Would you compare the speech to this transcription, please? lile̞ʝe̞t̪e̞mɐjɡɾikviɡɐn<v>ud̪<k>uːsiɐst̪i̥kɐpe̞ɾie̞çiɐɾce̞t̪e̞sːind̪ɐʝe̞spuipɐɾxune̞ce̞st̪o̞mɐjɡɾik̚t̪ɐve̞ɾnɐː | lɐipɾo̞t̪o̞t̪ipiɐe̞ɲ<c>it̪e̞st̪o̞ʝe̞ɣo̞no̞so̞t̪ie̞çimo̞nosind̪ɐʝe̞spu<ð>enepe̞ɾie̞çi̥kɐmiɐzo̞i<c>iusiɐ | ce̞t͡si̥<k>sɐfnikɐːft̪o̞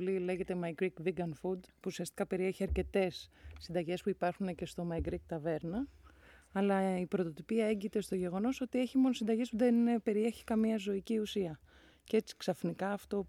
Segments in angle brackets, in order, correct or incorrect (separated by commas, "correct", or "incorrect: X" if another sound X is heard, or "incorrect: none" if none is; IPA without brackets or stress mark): incorrect: f, incorrect: p, incorrect: ɟ, correct, correct, correct